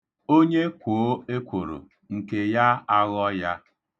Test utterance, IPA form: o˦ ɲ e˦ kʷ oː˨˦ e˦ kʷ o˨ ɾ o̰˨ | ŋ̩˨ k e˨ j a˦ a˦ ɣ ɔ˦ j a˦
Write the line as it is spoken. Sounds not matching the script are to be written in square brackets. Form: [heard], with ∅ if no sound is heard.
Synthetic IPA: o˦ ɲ e˦ kʷ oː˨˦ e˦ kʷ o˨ ɾ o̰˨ | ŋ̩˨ k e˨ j a˦ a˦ ɣ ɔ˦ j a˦